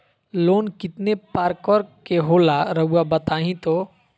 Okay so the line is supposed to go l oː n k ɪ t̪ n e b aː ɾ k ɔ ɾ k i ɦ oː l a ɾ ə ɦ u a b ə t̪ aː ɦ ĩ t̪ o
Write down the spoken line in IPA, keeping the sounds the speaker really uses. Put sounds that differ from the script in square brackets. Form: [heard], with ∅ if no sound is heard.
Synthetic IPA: l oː n k ɪ t̪ n e [p] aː ɾ k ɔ ɾ k [e] ɦ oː l a ɾ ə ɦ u a b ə t̪ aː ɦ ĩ t̪ o